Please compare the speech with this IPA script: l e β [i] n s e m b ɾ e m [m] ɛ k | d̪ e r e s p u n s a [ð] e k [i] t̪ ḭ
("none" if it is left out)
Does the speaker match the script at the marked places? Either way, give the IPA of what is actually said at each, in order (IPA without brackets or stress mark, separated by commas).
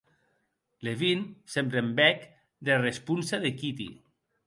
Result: i, b, ð, i